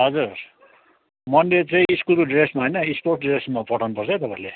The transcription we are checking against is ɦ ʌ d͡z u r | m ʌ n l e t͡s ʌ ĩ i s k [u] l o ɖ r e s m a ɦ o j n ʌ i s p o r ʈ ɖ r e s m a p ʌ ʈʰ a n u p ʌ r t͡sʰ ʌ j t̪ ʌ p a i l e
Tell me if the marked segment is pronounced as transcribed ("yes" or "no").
yes